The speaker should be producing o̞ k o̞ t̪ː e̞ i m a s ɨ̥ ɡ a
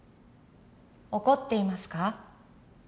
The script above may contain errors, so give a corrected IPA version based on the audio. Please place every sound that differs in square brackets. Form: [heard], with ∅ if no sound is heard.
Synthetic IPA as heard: o̞ k o̞ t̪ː e̞ i m a s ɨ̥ [k] a